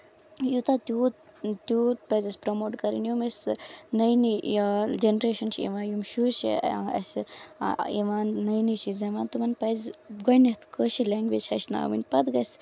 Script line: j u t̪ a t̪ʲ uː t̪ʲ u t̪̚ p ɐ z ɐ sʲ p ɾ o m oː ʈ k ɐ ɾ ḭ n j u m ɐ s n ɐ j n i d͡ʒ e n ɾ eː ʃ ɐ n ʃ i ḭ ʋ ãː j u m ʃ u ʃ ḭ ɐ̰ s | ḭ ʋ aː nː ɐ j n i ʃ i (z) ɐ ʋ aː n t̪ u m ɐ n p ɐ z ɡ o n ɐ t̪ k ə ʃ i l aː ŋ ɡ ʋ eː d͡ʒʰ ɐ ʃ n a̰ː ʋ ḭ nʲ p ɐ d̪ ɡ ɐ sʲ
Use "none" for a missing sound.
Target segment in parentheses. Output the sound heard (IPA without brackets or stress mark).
z